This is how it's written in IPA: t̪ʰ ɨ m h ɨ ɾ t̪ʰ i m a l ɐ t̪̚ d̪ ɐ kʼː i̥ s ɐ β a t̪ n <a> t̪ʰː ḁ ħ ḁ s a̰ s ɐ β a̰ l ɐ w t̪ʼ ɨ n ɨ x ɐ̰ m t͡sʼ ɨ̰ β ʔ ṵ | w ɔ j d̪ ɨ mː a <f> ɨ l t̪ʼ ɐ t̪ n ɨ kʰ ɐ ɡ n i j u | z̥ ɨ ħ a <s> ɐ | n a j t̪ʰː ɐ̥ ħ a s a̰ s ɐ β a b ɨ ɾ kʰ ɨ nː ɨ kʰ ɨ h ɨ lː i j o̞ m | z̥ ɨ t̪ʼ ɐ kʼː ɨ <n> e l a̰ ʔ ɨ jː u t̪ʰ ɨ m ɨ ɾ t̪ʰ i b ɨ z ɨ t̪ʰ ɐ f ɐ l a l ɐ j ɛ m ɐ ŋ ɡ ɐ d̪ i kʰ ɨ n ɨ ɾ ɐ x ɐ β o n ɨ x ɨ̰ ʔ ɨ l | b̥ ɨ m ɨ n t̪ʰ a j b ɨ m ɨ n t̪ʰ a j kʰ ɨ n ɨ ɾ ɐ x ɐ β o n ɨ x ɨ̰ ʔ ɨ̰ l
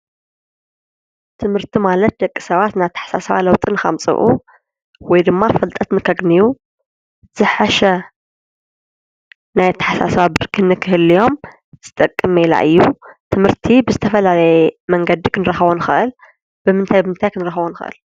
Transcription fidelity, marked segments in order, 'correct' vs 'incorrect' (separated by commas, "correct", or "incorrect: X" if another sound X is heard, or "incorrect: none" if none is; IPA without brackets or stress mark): correct, correct, incorrect: ʃ, incorrect: m